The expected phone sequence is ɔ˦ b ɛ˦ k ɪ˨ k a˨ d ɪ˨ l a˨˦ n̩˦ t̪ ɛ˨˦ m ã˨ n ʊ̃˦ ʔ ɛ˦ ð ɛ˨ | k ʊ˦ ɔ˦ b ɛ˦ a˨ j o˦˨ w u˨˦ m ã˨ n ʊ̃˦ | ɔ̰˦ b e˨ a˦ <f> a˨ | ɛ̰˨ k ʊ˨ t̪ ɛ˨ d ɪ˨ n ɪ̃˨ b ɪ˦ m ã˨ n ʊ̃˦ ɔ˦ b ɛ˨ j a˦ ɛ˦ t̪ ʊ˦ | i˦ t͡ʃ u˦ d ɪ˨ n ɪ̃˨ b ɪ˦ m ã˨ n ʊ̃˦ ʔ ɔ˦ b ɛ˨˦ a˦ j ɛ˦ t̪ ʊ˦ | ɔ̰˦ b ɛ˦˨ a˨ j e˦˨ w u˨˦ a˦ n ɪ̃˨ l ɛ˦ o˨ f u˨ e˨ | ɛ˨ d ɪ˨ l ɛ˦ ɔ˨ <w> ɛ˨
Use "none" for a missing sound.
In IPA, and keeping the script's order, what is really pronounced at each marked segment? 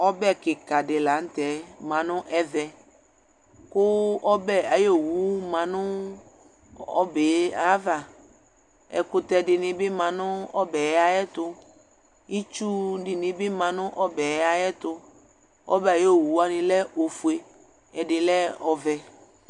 v, v

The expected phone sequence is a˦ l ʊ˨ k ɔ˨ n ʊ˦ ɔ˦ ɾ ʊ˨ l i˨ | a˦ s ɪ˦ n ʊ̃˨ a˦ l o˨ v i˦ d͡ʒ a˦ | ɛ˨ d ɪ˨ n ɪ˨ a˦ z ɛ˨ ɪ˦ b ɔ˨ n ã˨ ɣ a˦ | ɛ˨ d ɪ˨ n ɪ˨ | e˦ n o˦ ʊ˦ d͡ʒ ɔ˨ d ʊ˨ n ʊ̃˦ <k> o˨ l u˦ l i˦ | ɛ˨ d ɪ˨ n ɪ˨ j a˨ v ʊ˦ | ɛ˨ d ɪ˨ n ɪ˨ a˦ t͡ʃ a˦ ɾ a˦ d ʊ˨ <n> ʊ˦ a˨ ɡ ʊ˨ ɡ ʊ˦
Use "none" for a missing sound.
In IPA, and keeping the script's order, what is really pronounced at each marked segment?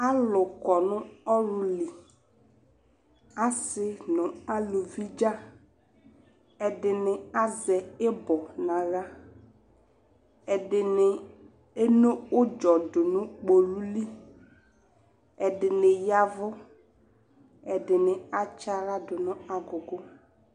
k͡p, n

